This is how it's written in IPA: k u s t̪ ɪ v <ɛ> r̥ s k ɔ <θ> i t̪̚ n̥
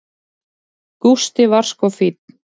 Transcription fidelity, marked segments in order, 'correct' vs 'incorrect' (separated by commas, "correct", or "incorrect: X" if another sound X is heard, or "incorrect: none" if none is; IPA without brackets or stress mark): incorrect: a, incorrect: f